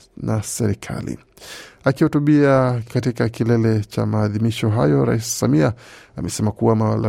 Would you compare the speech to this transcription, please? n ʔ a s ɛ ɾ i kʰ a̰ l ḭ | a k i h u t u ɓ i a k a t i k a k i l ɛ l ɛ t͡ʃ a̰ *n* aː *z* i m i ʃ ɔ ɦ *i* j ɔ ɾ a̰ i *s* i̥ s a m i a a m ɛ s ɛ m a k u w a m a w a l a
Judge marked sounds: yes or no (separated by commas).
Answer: no, no, no, yes